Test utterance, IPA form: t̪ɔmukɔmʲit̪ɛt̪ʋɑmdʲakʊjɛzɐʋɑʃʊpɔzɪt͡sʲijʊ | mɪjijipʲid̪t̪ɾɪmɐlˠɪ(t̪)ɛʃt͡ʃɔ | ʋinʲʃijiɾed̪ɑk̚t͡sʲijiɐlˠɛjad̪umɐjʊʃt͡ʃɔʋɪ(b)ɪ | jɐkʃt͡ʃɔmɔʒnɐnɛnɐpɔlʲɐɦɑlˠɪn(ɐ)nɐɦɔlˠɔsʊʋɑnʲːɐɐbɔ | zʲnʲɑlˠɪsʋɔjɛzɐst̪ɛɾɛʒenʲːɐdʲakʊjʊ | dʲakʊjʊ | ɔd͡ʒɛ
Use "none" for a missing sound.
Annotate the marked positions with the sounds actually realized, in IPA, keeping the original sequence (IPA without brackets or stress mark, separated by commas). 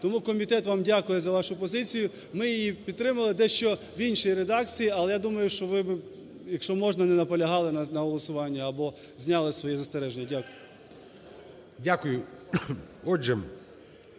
d̪, b, ɐ